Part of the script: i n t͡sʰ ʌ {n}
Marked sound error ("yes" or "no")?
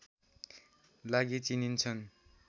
no